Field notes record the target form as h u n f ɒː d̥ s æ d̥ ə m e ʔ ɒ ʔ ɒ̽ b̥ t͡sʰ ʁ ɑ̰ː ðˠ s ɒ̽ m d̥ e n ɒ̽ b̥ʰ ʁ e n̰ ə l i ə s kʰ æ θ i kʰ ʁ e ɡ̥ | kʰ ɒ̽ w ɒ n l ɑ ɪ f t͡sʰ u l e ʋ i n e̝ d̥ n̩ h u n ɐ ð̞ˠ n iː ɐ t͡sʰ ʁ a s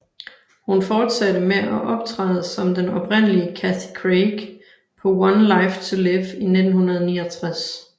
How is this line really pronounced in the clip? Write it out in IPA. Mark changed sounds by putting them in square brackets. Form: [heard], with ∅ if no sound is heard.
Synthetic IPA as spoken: h u n f ɒː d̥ s æ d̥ ə m e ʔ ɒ ʔ ɒ̽ b̥ t͡sʰ ʁ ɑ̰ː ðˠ s ɒ̽ m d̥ e n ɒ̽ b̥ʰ ʁ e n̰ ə l i ə [∅] kʰ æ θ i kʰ ʁ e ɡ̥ | [pʰ] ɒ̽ w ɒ n l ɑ ɪ f t͡sʰ u l e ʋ i n e̝ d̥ n̩ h u n ɐ ð̞ˠ n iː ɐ t͡sʰ ʁ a s